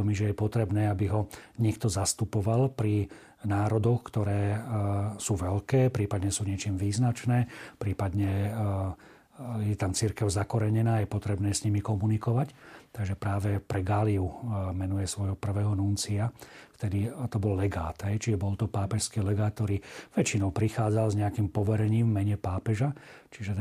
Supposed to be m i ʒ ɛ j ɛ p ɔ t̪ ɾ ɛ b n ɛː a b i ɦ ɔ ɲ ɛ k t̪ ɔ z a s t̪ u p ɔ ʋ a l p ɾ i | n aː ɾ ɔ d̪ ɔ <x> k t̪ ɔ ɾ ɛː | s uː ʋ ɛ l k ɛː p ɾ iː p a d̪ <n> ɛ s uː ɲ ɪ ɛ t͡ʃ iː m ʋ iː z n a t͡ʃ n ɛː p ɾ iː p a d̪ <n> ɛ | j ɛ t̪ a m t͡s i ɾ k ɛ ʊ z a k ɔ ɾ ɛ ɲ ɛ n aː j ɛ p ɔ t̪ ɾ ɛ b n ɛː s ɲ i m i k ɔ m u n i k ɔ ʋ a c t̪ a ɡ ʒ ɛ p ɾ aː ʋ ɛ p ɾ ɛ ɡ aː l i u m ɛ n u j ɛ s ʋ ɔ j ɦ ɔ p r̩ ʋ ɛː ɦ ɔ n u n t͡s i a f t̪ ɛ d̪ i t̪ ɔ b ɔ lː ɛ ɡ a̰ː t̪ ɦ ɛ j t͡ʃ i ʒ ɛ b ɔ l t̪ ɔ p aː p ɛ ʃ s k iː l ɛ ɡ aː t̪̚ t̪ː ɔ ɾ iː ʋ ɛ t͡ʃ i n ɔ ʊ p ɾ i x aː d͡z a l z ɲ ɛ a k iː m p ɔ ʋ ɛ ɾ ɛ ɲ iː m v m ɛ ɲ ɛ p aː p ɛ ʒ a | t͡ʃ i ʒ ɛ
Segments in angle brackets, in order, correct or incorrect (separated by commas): correct, incorrect, incorrect